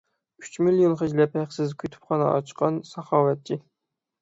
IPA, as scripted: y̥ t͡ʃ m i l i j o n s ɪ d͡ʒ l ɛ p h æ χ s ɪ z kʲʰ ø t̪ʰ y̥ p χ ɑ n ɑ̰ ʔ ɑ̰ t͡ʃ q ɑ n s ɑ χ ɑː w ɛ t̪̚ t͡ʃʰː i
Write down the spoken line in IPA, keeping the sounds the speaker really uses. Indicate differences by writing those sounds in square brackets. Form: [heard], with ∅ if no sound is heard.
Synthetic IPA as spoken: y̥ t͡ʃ m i l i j o n [χ] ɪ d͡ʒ l ɛ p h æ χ s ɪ z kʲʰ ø t̪ʰ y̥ p χ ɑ n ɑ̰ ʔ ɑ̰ t͡ʃ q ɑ n s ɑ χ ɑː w ɛ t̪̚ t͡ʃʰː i